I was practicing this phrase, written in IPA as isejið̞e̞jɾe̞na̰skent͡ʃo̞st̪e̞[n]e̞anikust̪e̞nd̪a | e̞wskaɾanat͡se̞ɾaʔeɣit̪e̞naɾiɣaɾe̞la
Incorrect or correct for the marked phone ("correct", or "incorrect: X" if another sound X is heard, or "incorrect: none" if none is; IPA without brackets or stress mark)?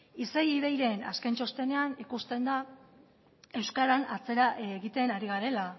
correct